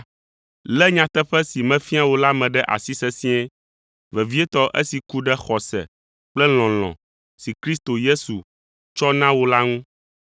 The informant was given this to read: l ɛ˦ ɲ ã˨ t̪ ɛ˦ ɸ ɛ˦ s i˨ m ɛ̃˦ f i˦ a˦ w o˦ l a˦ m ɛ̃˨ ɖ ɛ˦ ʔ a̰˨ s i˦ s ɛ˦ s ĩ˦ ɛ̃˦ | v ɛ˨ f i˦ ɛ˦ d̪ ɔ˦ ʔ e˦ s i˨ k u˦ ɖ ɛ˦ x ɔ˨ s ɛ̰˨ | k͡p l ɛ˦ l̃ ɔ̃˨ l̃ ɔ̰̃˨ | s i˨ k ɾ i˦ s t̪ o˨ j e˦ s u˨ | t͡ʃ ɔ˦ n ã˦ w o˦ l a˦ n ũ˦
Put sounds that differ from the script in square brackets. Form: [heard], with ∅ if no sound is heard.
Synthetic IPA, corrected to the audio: l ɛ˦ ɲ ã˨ t̪ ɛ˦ ɸ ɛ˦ s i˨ m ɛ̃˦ f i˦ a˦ w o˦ l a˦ m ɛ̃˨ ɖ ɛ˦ ʔ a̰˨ s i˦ s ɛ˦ s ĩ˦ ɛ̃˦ | v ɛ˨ [v] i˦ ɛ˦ [t̪] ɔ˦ ʔ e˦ s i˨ k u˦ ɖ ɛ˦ x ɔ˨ s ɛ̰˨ | k͡p l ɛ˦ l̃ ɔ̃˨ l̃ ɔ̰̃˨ | s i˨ k ɾ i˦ s t̪ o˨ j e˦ s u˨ | t͡ʃ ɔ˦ n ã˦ w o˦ l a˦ [ŋ] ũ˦